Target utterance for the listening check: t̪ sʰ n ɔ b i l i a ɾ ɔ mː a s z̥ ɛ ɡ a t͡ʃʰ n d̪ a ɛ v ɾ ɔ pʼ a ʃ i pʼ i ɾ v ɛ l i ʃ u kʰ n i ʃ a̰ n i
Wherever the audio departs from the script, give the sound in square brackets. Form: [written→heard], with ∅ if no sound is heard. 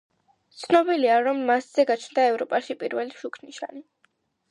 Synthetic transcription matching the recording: t̪ sʰ n ɔ b i l i a ɾ ɔ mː a s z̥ ɛ ɡ a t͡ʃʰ n d̪ a ɛ v ɾ ɔ pʼ a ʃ i pʼ i ɾ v ɛ l i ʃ u kʰ n i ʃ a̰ n i